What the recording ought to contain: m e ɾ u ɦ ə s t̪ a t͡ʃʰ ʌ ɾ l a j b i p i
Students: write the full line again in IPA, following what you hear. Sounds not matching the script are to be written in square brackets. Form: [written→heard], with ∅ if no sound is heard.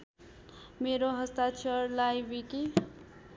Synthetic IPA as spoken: m e ɾ [u→o] ɦ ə s t̪ a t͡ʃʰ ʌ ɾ l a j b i [p→k] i